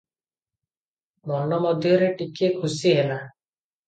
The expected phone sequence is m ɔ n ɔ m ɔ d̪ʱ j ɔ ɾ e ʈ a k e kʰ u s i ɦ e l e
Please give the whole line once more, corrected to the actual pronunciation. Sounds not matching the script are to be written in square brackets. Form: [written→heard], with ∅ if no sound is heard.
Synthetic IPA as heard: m ɔ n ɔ m ɔ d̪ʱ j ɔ ɾ e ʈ [a→i] k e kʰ u s i ɦ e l [e→a]